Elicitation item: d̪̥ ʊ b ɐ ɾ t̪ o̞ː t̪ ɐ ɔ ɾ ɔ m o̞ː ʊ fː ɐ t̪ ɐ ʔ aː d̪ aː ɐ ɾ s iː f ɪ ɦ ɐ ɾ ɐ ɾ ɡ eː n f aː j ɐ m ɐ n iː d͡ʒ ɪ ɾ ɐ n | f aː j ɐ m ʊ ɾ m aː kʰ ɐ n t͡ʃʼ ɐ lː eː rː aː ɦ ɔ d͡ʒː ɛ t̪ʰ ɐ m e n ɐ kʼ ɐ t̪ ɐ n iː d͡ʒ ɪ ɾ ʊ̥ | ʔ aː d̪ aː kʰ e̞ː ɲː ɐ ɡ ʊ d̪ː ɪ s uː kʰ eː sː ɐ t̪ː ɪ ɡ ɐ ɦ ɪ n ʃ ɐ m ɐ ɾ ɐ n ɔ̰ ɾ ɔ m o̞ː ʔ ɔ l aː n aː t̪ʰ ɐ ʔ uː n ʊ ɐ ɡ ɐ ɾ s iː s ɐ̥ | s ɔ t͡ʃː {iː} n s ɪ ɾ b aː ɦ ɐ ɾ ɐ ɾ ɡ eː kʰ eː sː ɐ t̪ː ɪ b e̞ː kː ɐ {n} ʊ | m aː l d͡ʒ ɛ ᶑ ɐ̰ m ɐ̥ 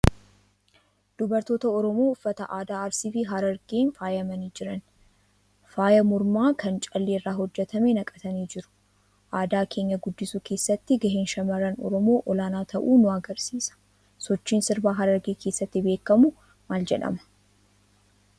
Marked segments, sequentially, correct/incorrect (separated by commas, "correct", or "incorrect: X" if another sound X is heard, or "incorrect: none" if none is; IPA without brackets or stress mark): correct, incorrect: m